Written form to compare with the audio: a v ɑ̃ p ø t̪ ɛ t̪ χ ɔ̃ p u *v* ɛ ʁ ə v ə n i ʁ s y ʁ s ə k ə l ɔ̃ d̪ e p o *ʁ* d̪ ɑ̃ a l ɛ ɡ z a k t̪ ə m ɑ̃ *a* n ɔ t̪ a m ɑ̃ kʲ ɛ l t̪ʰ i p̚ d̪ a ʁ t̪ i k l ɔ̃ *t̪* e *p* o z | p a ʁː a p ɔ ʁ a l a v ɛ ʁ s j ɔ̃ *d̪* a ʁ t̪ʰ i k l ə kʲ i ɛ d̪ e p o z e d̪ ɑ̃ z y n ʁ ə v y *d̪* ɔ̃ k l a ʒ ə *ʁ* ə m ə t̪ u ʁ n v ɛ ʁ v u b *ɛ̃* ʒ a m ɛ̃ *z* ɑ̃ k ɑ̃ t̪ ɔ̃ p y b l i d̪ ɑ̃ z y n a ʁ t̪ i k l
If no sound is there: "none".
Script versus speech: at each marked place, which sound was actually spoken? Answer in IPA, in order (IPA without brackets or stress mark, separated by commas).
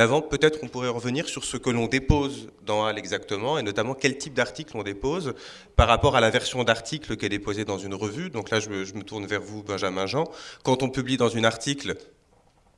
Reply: ʁ, z, e, d̪, p, d̪, d̪, ʒ, ɛ̃, ʒ